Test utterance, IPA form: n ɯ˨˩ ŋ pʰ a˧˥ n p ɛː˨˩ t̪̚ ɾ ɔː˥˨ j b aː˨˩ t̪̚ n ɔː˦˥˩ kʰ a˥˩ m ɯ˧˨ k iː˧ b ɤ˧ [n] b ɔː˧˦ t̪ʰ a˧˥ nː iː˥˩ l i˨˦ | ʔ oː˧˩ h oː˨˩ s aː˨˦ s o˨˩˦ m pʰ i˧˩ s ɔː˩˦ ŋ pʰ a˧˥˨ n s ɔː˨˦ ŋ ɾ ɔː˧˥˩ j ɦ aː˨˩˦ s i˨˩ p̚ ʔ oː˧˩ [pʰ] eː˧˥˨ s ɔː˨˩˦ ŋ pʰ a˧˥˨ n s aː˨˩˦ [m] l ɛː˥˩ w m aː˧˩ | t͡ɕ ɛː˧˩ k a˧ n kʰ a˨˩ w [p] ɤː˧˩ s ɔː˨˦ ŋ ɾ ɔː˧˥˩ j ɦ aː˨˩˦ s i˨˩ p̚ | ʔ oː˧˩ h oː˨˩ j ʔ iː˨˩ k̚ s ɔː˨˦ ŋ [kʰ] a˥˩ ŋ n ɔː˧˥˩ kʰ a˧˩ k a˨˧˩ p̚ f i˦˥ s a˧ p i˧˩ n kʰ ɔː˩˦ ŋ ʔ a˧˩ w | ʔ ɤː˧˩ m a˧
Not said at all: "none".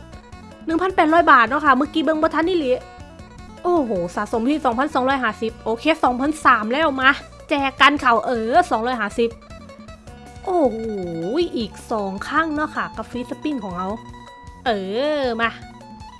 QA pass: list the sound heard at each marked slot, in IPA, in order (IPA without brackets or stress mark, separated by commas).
ŋ, kʰ, m, ʔ, kʰ